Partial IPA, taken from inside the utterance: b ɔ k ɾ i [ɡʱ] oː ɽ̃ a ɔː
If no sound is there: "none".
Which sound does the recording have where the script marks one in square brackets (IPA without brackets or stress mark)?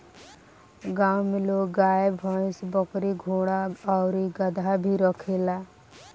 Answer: ɡʱ